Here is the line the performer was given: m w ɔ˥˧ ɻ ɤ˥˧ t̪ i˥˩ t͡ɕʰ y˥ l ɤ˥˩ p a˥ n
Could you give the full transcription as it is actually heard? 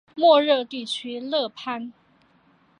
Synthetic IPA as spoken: m w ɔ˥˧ ɻ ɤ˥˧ t̪ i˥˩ t͡ɕʰ y˥ l ɤ˥˩ pʰ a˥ n

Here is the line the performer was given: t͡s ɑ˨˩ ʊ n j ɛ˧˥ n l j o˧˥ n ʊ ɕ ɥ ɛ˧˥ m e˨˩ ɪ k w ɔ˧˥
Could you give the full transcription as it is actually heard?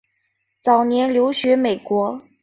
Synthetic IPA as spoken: t͡s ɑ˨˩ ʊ n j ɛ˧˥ n l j o˧˥ ʊ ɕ ɥ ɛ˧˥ m e˨˩ ɪ k w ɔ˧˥

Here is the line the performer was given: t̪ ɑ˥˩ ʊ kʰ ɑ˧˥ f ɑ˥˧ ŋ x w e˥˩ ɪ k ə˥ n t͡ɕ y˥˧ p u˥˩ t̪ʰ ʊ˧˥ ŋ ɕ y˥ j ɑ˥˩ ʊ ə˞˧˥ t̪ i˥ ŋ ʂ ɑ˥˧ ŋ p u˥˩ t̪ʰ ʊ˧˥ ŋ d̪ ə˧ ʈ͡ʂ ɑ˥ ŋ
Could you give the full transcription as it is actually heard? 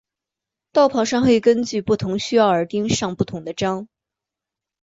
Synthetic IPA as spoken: t̪ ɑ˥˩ ʊ pʰ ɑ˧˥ ʂ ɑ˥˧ ŋ x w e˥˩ ɪ k ə˥ n t͡ɕ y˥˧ p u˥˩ t̪ʰ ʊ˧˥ ŋ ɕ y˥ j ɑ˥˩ ʊ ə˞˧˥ t̪ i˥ ŋ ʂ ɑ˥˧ ŋ p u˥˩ t̪ʰ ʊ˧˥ ŋ d̪ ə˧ ʈ͡ʂ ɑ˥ ŋ

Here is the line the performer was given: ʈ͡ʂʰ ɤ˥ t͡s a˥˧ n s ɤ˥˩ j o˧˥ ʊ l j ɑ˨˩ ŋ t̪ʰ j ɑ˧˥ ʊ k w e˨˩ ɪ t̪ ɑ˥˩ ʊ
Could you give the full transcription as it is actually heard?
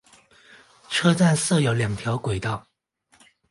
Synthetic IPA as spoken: ʈ͡ʂʰ ɤ˥ t͡s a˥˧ n s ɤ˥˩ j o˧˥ ʊ l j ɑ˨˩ ŋ t̪ʰ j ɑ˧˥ ʊ k w e˨˩ ɪ t̪ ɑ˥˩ ʊ

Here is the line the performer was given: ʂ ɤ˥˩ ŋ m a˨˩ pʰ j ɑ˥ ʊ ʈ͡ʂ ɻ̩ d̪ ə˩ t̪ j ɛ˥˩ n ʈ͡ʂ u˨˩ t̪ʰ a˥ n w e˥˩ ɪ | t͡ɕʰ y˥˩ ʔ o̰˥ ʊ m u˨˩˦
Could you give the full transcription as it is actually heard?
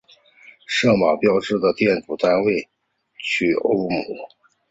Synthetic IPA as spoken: ʂ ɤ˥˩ ŋ m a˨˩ p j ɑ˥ ʊ ʈ͡ʂ ɻ̩ d̪ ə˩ t̪ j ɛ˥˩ n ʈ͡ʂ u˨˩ t̪ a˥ n w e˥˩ ɪ | t͡ɕʰ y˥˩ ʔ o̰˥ ʊ m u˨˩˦

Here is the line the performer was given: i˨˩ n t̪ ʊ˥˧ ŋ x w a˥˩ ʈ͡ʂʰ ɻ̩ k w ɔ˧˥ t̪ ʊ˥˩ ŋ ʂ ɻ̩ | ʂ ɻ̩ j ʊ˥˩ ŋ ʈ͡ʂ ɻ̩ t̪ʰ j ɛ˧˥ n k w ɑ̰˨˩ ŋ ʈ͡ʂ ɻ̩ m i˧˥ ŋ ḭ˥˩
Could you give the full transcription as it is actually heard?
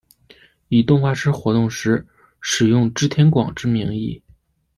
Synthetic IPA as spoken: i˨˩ t̪ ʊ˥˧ ŋ x w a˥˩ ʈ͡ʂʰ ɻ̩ x w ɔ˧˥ t̪ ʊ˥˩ ŋ ʂ ɻ̩ | ʂ ɻ̩ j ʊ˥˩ ŋ ʈ͡ʂ ɻ̩ t̪ʰ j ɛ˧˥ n k w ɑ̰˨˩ ŋ ʈ͡ʂ ɻ̩ m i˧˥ ŋ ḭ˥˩

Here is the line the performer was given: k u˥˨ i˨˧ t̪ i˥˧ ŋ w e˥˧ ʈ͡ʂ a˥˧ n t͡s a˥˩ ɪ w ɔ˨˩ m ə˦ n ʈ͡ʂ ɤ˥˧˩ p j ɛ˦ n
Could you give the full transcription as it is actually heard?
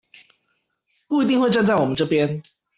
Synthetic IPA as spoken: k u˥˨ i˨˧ t̪ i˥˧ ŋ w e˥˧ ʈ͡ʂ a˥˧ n t͡s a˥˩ ɪ w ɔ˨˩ m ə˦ n ʈ͡ʂ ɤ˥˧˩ p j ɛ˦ n

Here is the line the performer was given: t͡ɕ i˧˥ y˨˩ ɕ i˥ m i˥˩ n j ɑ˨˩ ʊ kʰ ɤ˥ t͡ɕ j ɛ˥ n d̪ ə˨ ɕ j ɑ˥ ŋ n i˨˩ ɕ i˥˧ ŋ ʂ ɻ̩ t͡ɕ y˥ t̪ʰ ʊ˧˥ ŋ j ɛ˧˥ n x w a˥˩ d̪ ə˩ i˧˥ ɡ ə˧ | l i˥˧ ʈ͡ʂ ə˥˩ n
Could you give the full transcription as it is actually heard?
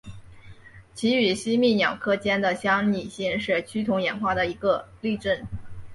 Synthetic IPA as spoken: t͡ɕʰ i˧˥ y˨˩ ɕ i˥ m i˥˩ n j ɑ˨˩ ʊ kʰ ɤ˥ t͡ɕ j ɛ˥ n d̪ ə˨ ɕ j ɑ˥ ŋ n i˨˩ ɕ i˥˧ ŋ ʂ ɻ̩ t͡ɕʰ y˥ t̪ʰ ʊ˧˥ ŋ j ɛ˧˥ n x w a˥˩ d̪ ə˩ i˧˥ ɡ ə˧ | l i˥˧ ʈ͡ʂ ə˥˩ n

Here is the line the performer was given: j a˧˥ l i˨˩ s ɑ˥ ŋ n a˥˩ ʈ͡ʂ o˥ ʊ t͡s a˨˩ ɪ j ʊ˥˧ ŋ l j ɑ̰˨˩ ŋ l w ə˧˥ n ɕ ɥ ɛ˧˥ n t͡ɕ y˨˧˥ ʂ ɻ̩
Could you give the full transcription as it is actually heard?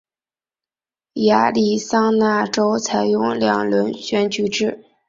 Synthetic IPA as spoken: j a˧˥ l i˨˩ s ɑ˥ ŋ n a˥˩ ʈ͡ʂ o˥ ʊ t͡sʰ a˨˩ ɪ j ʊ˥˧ ŋ l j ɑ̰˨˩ ŋ l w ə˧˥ n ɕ ɥ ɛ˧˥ n t͡ɕ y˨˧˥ ʈ͡ʂ ɻ̩

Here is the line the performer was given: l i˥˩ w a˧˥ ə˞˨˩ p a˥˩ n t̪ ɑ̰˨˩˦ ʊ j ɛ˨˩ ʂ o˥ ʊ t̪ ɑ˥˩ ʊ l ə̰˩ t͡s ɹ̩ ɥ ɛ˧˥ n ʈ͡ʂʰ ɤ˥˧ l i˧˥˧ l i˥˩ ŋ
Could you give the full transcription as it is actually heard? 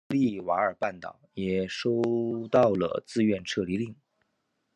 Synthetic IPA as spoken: l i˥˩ w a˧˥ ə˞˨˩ p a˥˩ n t̪ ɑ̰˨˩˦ ʊ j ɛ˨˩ ʂ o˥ ʊ t̪ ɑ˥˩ ʊ l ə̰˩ t͡s ɹ̩ ɥ ɛ˥˧ n ʈ͡ʂʰ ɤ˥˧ l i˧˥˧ l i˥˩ ŋ

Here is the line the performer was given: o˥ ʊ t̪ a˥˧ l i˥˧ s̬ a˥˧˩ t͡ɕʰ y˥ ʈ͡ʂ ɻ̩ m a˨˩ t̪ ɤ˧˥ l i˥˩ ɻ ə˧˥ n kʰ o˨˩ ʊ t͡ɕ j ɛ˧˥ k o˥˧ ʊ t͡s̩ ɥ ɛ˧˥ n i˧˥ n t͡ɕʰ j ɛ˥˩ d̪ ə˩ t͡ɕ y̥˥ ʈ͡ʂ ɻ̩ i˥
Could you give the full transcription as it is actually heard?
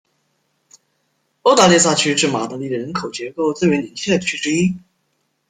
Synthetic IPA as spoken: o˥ ʊ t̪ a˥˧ l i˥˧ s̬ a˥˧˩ t͡ɕʰ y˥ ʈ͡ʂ ɻ̩ m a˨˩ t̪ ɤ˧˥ l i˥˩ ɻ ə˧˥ n kʰ o˨˩ ʊ t͡ɕ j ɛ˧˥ k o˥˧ ʊ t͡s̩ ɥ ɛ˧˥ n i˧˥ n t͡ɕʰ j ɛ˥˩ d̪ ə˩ t͡ɕʰ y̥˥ ʈ͡ʂ ɻ̩ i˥

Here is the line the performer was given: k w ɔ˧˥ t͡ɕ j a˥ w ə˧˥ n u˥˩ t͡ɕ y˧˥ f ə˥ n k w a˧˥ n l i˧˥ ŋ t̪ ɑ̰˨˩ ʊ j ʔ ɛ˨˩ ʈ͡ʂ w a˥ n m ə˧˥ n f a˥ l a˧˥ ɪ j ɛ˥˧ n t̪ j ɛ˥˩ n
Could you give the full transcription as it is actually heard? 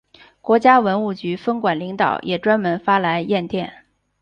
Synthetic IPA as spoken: k w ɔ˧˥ t͡ɕ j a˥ w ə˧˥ n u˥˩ t͡ɕ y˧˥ f ə˥ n k w a˨˩ n l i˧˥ ŋ t̪ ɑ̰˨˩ ʊ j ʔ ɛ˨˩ ʈ͡ʂ w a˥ n m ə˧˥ n f a˥ l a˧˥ ɪ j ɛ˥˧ n t̪ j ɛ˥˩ n

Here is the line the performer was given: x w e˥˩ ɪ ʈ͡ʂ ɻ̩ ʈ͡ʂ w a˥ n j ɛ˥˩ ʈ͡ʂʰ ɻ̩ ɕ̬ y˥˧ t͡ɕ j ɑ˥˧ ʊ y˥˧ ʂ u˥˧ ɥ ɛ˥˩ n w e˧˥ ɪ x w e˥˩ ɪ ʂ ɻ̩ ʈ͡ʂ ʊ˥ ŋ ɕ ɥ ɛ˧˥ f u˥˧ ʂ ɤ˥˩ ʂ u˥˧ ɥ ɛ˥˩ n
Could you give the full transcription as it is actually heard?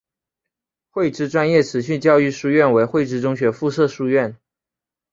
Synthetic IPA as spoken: x w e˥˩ ɪ ʈ͡ʂ ɻ̩ ʈ͡ʂ w a˥ n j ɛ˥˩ ʈ͡ʂʰ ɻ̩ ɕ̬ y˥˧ t͡ɕ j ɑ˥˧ ʊ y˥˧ ʂ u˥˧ ɥ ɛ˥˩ n w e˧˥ ɪ x w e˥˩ ɪ ʈ͡ʂ ɻ̩ ʈ͡ʂ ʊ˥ ŋ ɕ ɥ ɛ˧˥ f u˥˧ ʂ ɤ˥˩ ʂ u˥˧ ɥ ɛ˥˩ n

